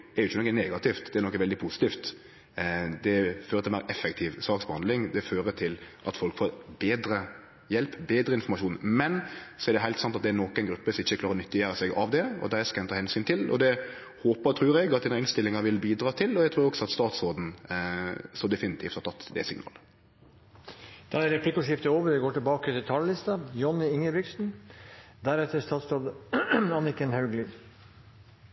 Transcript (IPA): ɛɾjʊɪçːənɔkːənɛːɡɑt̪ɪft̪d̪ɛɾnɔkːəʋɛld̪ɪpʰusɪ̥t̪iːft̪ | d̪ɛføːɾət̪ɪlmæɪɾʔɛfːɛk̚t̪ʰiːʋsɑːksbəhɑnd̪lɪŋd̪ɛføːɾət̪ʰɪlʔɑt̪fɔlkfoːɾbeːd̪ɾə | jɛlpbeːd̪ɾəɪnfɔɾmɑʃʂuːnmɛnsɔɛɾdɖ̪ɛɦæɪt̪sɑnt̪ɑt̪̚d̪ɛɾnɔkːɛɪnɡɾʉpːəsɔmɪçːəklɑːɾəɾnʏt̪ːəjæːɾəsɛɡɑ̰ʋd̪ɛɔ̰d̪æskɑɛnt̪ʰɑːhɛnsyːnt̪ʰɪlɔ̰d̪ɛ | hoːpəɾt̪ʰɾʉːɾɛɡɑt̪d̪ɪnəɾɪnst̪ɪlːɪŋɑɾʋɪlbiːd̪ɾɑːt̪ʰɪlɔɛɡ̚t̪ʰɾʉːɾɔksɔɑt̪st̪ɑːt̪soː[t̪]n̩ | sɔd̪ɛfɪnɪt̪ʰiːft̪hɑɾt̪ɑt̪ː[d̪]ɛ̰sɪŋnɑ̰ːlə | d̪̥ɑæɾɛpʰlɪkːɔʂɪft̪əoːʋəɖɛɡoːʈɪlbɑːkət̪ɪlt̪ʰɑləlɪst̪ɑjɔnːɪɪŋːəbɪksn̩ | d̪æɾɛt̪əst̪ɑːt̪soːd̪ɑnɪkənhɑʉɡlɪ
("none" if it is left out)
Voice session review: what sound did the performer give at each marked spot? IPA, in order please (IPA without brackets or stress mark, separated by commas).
d̪, d̪